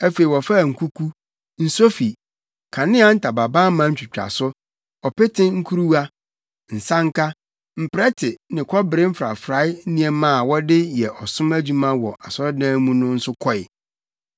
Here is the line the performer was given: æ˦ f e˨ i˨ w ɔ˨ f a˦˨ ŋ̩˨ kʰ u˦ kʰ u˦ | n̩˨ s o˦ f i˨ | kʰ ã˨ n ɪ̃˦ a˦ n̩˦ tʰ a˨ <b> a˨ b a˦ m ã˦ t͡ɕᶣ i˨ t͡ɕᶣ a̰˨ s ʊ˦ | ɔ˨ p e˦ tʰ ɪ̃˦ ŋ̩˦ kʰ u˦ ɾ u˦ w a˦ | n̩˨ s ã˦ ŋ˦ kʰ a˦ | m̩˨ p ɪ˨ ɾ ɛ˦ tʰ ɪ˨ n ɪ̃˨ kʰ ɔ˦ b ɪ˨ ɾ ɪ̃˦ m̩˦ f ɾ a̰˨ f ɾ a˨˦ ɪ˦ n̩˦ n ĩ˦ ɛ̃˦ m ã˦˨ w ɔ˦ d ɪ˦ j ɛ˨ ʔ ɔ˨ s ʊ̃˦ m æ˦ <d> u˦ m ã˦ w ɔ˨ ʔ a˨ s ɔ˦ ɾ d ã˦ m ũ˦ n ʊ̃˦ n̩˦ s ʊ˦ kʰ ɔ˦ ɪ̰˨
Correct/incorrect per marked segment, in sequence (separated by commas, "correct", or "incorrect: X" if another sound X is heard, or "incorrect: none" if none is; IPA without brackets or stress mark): correct, incorrect: d͡ʑ